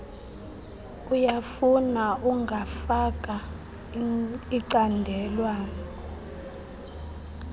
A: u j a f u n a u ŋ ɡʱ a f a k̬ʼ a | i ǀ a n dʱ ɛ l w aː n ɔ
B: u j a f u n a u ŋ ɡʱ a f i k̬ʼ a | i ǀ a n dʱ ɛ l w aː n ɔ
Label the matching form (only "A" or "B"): A